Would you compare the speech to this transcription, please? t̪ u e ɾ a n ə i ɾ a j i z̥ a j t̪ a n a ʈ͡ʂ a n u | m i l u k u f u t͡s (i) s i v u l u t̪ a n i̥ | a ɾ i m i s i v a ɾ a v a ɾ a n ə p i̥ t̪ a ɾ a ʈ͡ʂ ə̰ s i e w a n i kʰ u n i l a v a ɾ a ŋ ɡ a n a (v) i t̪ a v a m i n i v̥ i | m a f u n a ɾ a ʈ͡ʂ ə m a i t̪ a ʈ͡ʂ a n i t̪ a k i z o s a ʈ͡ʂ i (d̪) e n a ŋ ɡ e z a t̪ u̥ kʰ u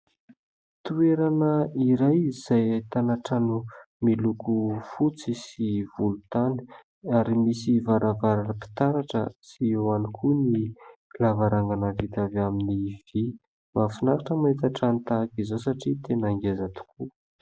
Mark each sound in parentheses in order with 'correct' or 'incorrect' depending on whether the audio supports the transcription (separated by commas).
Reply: correct, correct, incorrect